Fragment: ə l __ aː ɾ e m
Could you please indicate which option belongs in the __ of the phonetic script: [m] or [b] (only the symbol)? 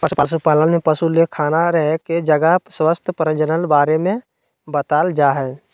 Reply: b